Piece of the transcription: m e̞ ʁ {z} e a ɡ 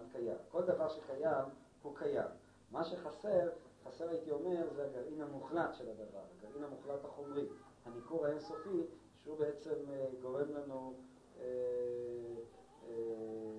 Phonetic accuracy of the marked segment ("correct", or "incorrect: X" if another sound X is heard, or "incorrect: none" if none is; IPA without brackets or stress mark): correct